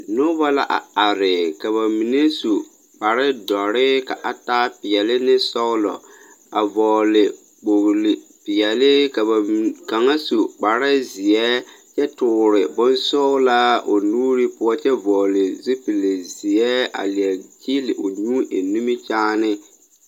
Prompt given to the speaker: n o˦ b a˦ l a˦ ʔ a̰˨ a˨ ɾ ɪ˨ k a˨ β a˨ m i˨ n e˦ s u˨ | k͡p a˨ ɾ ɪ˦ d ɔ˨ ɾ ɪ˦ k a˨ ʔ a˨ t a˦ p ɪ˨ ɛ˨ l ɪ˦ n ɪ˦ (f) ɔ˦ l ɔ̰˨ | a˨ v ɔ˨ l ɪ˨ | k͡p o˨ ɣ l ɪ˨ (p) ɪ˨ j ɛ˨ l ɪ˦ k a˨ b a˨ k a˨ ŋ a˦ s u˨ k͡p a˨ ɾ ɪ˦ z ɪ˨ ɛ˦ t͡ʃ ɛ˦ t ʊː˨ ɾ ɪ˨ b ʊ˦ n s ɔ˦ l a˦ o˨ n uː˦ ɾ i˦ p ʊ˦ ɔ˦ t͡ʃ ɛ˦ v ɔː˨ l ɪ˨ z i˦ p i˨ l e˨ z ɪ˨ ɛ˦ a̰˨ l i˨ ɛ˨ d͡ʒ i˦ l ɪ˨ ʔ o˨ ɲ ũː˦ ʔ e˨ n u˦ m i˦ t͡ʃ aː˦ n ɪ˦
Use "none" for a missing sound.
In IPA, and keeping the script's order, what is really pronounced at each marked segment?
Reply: s, p

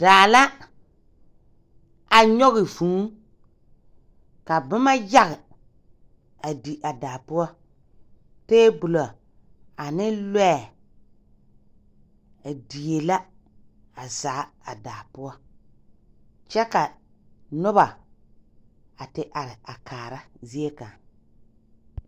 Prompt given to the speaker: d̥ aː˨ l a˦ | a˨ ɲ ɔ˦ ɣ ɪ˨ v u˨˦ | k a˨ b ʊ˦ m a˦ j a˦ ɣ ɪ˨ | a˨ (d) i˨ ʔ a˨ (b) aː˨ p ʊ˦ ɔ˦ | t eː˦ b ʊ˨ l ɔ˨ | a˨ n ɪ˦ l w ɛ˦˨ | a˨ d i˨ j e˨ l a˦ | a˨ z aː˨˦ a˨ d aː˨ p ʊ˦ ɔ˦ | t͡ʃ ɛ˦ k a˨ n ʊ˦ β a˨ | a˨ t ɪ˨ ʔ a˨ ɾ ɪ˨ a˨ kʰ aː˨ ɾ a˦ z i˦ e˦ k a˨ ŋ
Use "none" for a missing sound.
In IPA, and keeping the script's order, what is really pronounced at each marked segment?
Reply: d, d

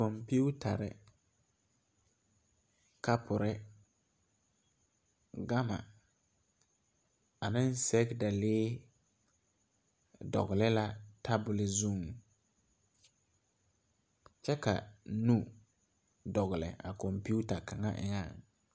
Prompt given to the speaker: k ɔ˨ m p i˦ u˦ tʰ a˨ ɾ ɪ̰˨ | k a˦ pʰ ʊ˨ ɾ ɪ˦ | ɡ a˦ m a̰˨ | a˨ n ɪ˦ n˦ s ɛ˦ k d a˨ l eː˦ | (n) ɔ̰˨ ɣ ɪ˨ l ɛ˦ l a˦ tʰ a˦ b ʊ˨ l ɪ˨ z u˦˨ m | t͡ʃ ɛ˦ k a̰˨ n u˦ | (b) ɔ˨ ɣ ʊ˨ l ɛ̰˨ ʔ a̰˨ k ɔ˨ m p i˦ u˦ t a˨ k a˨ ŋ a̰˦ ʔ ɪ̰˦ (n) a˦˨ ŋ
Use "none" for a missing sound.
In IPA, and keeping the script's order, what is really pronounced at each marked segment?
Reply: d, d, ŋ

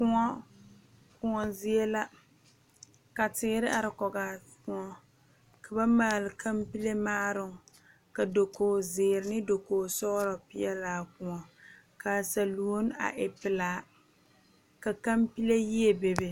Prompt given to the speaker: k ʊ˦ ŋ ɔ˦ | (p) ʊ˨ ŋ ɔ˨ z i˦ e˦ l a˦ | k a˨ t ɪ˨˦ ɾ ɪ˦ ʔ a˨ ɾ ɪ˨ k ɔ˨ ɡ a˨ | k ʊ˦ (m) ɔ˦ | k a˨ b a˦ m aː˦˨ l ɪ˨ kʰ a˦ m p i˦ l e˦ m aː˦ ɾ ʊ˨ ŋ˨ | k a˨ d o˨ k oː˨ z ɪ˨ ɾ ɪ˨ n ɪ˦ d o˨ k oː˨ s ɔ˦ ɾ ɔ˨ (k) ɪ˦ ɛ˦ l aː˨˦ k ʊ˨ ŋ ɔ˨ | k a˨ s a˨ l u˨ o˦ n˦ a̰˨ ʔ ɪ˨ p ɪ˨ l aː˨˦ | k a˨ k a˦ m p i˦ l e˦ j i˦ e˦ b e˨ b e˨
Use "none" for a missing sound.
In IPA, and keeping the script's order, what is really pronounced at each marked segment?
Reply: k, ŋ, p

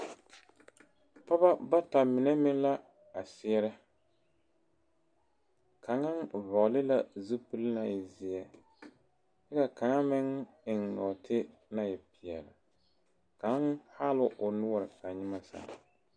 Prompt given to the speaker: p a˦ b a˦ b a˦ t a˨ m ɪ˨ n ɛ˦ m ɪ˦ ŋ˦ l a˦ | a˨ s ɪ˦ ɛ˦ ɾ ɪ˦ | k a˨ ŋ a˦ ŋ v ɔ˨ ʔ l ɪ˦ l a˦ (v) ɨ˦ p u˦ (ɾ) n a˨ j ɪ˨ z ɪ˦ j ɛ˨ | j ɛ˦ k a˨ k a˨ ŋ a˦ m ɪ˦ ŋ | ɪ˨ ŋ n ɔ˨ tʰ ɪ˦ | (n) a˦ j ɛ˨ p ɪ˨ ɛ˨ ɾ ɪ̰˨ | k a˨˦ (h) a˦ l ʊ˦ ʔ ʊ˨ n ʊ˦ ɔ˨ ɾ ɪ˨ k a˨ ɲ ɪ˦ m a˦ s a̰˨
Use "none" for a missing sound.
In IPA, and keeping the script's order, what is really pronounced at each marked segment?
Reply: z, l, n, h

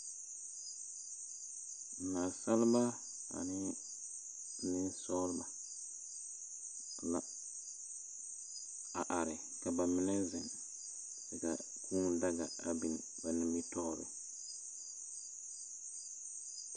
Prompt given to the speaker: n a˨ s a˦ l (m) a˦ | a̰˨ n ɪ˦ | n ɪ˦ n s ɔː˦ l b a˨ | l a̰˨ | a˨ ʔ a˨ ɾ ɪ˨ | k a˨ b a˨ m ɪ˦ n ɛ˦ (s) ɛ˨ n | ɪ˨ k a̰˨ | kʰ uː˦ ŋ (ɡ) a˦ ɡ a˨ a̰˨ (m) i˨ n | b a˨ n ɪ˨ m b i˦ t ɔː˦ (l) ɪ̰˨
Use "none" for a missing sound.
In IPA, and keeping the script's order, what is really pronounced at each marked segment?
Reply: b, z, d, b, ɾ

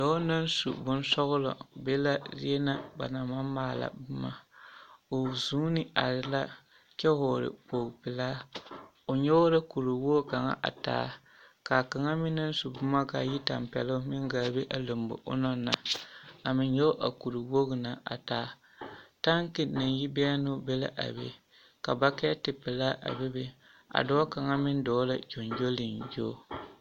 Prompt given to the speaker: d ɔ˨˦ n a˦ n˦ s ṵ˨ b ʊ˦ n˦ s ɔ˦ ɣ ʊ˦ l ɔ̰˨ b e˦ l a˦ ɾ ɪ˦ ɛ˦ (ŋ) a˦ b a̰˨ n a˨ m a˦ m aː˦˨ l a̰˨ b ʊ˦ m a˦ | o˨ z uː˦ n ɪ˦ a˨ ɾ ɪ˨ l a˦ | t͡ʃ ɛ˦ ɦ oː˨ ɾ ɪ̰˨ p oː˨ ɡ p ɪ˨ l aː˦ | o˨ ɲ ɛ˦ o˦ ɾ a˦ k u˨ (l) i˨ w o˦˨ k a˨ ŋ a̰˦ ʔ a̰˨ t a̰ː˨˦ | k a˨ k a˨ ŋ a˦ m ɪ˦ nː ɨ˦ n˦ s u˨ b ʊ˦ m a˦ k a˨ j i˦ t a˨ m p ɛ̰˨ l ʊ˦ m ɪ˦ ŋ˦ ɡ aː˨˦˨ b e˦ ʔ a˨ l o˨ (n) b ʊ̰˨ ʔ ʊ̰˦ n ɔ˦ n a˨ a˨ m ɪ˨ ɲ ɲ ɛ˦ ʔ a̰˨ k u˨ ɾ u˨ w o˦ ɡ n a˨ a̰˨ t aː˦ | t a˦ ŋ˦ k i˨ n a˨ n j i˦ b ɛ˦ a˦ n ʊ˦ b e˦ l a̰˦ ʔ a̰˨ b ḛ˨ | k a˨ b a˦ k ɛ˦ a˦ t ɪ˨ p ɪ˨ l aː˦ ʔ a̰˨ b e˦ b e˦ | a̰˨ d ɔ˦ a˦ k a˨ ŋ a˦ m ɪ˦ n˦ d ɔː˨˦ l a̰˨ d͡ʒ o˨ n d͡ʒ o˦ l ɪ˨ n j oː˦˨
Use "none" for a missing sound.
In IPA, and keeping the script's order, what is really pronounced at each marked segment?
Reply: n, ɾ, m

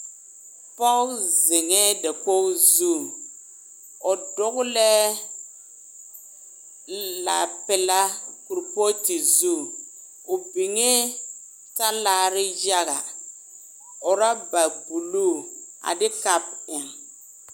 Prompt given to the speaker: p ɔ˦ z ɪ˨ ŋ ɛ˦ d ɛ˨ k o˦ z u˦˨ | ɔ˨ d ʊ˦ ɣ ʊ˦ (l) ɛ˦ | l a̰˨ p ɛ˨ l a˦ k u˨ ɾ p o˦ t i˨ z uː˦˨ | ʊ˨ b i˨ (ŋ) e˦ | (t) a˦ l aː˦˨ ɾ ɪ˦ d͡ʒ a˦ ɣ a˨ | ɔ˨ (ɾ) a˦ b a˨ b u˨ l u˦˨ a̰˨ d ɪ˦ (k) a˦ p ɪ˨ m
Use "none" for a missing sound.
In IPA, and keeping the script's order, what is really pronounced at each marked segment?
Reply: l, ŋ, t, ɾ, k

